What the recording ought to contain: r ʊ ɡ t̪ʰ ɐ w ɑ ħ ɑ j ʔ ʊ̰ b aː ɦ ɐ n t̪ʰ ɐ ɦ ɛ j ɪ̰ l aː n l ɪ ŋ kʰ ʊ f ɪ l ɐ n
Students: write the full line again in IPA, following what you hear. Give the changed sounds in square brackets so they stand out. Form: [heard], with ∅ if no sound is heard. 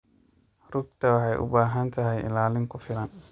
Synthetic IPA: r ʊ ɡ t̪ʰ ɐ w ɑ ħ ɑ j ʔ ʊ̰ b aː ɦ ɐ n t̪ʰ ɐ ɦ ɛ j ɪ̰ l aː [∅] l ɪ ŋ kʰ ʊ f ɪ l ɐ n